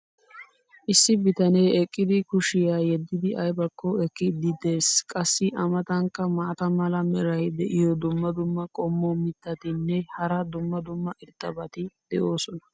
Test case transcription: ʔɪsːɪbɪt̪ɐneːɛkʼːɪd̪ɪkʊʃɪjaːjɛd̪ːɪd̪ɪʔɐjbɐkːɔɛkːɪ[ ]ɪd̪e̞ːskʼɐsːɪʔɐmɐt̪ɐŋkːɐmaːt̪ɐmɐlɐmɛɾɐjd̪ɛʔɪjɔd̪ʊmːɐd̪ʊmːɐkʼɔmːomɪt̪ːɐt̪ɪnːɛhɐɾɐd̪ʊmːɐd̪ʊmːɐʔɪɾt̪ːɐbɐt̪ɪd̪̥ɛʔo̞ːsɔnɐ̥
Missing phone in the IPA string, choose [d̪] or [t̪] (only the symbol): d̪